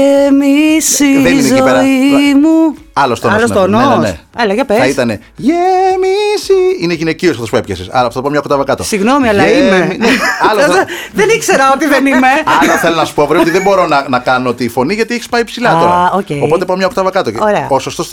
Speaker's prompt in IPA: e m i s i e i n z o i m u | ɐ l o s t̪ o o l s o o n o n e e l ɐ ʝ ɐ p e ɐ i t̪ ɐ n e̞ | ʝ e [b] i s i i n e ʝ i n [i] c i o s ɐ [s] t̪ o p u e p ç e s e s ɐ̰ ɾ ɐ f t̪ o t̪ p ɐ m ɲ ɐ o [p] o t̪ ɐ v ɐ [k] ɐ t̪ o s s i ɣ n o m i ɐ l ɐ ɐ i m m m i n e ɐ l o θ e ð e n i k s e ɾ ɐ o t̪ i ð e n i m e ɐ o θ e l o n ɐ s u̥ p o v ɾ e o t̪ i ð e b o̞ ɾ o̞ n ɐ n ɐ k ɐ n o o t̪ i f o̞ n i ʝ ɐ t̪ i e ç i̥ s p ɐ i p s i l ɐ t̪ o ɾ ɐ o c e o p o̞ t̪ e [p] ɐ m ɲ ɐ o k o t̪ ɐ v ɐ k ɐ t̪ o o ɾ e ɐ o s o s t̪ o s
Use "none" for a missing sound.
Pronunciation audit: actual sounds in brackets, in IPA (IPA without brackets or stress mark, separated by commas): m, e, f, k, k, p